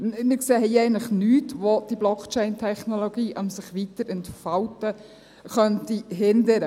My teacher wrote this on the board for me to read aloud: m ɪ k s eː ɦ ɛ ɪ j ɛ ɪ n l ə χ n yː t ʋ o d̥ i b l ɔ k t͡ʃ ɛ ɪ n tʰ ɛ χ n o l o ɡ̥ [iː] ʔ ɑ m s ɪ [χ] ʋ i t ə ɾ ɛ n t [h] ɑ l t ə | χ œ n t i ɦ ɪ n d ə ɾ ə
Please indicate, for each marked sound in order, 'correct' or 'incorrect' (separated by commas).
correct, correct, incorrect